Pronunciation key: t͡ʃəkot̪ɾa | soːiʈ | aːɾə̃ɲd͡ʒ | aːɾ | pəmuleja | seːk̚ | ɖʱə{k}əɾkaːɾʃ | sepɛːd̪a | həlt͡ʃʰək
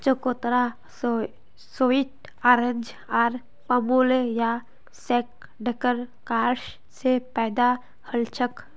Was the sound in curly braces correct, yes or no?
yes